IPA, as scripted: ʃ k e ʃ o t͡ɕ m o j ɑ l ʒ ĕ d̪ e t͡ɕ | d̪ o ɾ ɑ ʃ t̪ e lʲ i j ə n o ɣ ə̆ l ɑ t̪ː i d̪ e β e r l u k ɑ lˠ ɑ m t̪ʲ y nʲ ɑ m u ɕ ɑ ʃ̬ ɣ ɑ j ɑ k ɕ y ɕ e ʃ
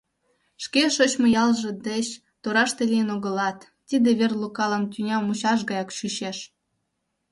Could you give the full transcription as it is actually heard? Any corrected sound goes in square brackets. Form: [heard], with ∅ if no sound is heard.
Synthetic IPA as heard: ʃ k e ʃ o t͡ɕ m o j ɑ l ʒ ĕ d̪ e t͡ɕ | [t̪] o ɾ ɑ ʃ t̪ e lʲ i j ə n o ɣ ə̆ l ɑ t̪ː i d̪ e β e r l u k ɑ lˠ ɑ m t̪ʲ y nʲ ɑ m u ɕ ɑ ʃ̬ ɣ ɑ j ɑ k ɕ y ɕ e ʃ